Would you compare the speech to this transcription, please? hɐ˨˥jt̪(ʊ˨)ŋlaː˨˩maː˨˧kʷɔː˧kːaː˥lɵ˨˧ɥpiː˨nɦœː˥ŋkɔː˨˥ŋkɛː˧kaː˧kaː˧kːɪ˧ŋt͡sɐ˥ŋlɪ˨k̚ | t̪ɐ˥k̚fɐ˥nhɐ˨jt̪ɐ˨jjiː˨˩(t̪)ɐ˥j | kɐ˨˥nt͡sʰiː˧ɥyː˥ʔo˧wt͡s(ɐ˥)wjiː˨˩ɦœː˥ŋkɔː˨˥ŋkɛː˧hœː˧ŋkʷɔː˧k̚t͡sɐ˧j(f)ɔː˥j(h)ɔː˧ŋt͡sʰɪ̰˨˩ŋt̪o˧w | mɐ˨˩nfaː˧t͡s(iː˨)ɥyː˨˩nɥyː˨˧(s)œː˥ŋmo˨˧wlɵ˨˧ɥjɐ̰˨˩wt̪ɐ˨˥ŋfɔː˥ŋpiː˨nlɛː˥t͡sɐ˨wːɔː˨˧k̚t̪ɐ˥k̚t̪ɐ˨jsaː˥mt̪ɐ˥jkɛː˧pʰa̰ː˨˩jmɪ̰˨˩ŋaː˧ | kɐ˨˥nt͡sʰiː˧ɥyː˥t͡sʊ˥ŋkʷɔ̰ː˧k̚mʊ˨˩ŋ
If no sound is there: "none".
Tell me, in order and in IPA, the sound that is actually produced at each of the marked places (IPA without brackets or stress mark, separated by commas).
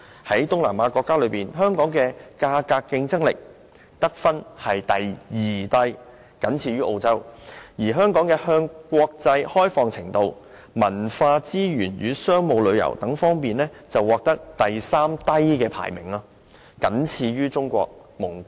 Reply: ʊ˥, t̪, ɐ˥, h, f, iː˥, s